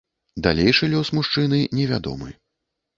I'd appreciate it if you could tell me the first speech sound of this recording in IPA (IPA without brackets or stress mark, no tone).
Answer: d̪